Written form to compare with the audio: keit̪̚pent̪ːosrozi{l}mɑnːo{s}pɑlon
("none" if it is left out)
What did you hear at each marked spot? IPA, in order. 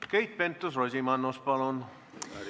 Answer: none, s

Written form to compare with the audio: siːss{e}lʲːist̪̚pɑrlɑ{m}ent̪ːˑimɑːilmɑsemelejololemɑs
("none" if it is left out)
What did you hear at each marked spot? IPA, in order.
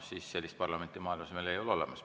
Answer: e, m

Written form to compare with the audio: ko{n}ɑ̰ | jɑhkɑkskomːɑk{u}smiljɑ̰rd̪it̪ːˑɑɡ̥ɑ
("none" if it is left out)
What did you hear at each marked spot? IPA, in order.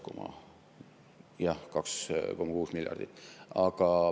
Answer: m, uː

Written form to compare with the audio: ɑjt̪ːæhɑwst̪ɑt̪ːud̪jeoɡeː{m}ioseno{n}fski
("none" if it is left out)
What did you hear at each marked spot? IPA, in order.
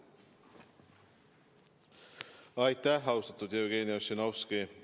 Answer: n, none

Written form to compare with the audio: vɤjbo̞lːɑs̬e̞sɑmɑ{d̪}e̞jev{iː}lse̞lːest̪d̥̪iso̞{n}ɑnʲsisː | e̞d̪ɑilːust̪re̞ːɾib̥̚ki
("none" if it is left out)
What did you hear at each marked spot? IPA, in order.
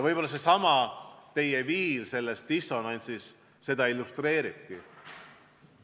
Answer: t̪, iː, n

